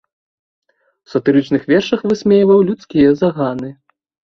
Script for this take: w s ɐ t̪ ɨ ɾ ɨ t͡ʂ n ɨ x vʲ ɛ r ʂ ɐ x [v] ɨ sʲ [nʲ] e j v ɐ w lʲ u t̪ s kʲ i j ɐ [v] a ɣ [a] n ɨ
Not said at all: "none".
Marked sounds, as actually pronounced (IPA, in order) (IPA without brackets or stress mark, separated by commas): v, mʲ, z, a